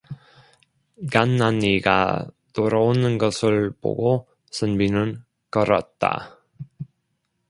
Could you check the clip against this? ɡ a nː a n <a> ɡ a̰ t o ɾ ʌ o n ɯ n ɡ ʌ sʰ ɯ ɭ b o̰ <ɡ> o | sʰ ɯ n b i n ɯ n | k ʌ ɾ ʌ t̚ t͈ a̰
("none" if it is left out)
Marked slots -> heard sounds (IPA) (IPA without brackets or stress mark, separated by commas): i, ɡ